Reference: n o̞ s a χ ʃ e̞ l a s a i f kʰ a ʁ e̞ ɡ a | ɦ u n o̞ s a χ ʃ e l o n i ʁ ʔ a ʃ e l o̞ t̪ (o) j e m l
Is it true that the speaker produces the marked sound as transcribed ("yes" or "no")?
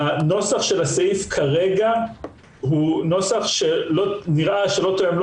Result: yes